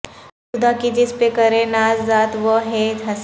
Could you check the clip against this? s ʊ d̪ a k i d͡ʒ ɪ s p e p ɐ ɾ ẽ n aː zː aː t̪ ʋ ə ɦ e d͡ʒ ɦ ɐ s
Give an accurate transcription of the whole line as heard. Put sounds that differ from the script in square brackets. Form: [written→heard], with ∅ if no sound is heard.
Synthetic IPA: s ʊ d̪ a k i d͡ʒ ɪ s p e [p→k] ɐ ɾ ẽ n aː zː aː t̪ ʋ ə ɦ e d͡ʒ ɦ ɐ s